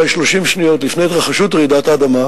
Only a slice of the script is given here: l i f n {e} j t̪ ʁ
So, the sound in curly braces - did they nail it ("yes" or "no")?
yes